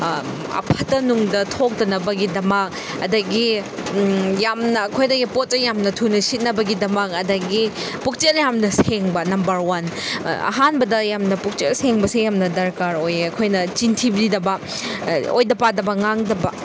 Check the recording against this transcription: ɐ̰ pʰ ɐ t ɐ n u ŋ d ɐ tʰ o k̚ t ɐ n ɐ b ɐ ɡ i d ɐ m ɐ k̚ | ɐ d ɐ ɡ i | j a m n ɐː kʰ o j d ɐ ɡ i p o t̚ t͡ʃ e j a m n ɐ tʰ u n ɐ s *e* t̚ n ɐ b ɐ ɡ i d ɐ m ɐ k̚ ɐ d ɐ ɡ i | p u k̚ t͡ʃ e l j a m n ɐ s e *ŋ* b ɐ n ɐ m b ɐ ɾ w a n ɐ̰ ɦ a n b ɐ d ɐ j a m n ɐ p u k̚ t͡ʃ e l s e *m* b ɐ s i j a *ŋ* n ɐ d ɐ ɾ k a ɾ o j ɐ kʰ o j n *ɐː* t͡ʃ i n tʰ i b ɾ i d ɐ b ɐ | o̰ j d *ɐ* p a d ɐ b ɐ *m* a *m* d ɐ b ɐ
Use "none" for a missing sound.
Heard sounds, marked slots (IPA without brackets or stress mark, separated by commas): i, ŋ, ŋ, m, ɐ, ɐ, ŋ, ŋ